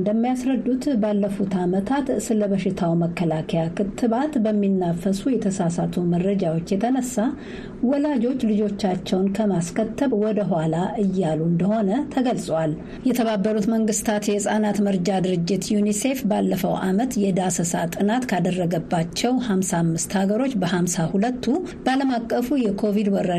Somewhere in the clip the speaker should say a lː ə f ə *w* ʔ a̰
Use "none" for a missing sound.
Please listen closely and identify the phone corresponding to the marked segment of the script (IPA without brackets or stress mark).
w